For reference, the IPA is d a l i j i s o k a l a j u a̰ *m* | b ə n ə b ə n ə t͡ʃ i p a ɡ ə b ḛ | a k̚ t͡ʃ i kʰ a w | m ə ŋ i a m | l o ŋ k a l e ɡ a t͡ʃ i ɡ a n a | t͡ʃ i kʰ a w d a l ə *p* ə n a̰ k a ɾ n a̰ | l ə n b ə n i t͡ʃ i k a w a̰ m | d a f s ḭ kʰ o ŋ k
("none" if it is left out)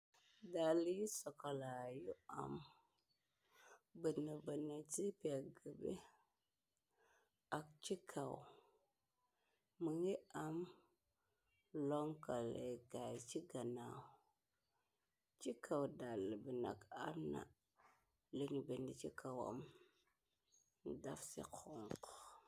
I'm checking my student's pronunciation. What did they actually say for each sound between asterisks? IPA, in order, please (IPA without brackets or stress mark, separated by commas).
m, b